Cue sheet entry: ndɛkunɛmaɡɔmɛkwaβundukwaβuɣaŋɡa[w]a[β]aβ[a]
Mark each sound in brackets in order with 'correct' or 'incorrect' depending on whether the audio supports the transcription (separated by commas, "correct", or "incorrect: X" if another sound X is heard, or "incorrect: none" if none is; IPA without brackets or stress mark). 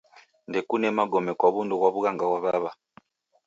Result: correct, correct, correct